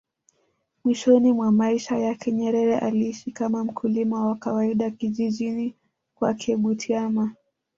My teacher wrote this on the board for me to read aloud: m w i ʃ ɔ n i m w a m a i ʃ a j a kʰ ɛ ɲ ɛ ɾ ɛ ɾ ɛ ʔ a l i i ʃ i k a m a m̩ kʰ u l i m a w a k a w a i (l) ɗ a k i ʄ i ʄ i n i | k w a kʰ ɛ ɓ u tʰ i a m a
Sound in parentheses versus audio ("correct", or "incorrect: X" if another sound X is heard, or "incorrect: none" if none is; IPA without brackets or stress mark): incorrect: none